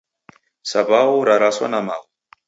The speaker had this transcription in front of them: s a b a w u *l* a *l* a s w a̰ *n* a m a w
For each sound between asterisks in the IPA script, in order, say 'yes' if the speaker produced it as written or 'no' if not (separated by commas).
no, no, yes